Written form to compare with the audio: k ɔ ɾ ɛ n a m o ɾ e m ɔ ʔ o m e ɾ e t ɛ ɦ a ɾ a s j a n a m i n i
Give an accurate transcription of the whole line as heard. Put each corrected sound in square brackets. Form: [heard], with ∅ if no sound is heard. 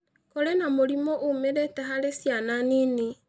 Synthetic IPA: k ɔ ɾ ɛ n a m o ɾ [i] m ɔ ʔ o m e ɾ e t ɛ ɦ a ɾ [e] s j a n a [n] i n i